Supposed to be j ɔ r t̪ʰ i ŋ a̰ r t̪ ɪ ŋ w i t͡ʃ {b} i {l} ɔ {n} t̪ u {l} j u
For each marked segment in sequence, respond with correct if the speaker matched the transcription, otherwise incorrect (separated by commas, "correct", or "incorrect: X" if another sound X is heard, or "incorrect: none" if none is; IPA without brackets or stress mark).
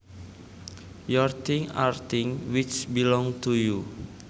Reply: correct, correct, incorrect: ŋ, incorrect: none